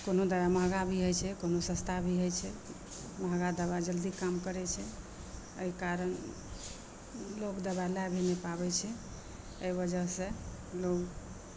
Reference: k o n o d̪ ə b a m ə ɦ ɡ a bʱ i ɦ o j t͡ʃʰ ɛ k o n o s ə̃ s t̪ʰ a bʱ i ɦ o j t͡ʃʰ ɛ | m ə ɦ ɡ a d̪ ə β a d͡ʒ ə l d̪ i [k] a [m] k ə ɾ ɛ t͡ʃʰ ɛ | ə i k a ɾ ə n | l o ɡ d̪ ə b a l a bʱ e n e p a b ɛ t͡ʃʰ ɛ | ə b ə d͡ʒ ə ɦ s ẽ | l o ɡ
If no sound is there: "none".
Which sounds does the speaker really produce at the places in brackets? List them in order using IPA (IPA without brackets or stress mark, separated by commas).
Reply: k, m